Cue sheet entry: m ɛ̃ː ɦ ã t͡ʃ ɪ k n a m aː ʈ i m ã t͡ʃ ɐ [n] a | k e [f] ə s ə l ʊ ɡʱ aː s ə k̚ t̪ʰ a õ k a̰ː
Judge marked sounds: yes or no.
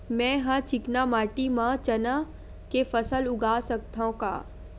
yes, yes

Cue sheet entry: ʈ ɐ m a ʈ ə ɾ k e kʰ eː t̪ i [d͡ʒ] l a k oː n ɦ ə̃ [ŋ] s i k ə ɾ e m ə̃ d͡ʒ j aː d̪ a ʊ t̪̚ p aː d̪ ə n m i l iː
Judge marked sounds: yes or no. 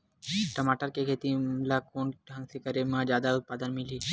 no, yes

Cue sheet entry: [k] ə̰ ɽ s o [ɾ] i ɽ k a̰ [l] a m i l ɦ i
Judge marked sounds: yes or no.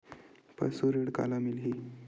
no, yes, yes

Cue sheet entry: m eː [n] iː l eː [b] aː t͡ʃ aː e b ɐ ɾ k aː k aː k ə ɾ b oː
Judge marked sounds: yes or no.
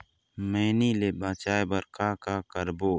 yes, yes

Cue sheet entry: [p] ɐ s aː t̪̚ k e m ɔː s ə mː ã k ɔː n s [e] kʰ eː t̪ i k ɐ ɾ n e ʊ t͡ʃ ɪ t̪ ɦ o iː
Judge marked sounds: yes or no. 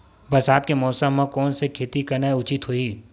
no, yes

